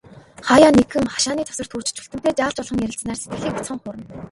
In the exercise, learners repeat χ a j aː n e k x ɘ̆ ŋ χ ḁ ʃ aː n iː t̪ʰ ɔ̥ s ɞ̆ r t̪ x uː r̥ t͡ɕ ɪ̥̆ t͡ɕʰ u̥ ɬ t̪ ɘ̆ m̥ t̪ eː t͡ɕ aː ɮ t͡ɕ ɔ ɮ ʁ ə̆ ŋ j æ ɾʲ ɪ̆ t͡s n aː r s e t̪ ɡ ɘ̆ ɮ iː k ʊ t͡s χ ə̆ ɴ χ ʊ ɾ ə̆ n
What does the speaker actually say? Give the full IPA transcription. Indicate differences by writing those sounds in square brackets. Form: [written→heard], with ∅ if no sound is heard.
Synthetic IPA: χ a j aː n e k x ɘ̆ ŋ χ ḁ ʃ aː n iː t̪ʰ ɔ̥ s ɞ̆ r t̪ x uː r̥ t͡ɕ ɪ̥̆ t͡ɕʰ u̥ ɬ t̪ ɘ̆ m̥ t̪ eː t͡ɕ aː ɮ t͡ɕ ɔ ɮ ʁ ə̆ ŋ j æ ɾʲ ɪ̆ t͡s n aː r s e t̪ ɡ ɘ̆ ɮ iː k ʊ t͡s χ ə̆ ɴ χ ʊ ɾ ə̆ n